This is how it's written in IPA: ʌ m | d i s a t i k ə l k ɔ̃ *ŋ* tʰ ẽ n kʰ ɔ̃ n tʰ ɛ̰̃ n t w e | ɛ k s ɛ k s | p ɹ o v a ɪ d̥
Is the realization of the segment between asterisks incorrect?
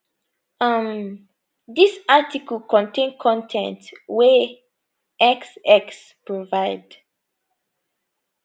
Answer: yes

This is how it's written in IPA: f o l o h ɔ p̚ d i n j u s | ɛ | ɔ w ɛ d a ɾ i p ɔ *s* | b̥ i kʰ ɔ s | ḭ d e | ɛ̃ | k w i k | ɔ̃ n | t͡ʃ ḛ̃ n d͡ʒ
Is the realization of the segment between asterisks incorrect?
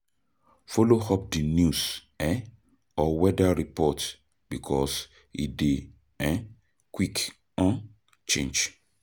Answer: yes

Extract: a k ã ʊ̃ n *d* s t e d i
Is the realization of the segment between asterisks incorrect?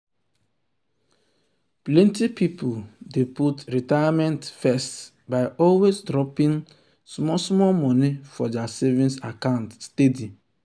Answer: yes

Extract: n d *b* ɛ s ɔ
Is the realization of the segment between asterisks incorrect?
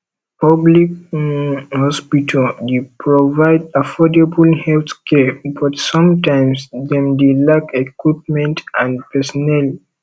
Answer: yes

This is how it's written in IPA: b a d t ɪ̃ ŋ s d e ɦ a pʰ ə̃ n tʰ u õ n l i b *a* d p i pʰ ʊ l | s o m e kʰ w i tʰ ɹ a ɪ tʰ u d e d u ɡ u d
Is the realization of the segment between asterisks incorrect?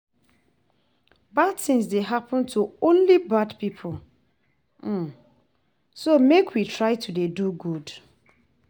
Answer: no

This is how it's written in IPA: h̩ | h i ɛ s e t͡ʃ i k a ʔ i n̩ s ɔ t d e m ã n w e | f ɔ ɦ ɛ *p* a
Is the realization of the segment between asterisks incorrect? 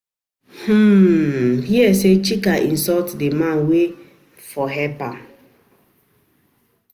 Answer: no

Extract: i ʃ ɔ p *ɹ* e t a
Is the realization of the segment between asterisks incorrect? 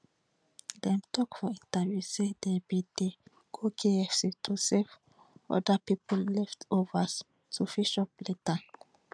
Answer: yes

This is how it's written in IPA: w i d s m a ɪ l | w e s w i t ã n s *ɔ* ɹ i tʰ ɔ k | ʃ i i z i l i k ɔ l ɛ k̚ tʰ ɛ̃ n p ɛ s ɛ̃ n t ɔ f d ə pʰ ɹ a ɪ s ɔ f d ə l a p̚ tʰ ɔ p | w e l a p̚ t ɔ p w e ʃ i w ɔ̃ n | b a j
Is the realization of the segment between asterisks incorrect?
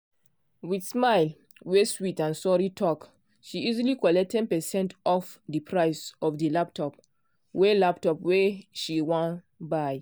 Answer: no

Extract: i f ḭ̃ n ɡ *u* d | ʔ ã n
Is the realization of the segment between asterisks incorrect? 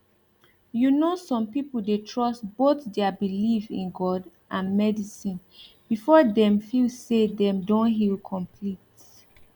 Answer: yes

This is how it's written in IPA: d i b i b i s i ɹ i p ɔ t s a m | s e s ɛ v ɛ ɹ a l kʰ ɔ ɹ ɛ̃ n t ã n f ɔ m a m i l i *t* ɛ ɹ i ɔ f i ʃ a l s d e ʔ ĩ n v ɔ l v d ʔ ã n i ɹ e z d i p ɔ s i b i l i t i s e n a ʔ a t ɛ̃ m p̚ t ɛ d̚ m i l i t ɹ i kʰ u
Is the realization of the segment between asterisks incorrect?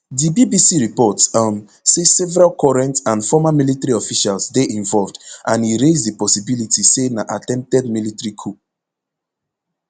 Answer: no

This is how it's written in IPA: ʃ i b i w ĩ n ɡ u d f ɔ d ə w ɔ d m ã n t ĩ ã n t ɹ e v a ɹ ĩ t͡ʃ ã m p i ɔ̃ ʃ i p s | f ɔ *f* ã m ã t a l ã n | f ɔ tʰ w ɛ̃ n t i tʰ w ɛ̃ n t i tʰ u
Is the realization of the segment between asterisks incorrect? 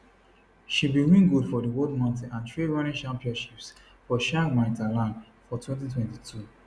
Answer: yes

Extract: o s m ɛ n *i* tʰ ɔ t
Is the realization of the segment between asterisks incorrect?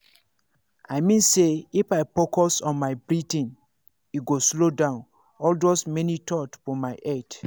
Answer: no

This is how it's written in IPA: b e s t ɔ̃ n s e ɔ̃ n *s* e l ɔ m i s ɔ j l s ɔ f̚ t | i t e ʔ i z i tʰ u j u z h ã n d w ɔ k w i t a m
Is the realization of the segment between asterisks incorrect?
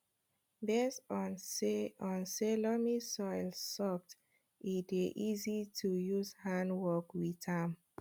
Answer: no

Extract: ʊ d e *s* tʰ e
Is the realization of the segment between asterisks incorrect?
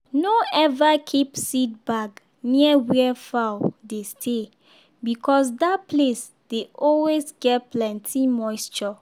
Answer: no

